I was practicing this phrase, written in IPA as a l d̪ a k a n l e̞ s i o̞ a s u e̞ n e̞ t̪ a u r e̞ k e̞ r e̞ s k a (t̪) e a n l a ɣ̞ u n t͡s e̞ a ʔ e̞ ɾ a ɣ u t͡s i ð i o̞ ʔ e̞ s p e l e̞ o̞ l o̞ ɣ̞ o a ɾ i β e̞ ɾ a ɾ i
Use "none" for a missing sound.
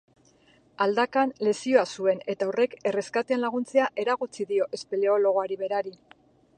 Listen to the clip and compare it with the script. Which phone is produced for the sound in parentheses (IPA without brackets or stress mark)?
t̪